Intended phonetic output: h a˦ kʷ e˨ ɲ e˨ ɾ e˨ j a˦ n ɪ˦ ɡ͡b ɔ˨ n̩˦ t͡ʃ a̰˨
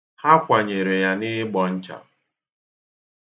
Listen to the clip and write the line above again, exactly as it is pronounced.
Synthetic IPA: h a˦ kʷ a˨ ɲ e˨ ɾ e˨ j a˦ n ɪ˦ ɡ͡b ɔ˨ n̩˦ t͡ʃ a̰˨